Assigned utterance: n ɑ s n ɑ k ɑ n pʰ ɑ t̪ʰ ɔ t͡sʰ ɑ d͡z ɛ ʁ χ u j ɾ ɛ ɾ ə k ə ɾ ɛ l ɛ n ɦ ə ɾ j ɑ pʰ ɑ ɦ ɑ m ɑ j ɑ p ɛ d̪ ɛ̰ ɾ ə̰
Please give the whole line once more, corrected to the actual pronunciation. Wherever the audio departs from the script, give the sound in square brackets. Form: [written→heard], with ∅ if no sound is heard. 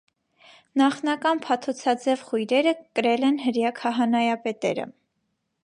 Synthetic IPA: n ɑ [s→χ] n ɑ k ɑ n pʰ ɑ t̪ʰ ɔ t͡sʰ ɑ d͡z ɛ [ʁ→v] χ u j ɾ ɛ ɾ ə k ə ɾ ɛ l ɛ n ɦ ə ɾ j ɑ [pʰ→kʰ] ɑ ɦ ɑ [m→n] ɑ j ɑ p ɛ [d̪→t̪] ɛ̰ ɾ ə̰